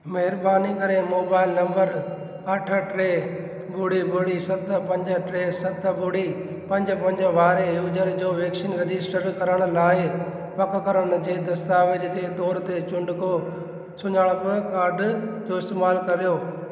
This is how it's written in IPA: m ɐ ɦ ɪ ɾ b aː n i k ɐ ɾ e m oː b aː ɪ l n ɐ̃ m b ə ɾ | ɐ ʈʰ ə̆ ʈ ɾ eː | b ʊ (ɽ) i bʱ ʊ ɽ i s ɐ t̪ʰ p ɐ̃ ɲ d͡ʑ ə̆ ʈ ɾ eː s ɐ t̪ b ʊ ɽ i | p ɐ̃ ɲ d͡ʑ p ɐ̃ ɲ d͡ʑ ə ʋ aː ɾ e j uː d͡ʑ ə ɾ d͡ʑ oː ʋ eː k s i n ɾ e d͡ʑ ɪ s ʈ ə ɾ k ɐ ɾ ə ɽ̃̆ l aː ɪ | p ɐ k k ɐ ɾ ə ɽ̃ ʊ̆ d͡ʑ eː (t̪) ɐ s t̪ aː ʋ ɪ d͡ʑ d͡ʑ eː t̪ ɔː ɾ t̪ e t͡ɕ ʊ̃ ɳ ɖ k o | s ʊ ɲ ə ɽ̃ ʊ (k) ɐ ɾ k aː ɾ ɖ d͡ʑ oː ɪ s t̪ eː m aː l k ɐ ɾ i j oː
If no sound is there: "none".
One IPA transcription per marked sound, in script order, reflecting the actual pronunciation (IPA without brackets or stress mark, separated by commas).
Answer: ɽ, d̪, p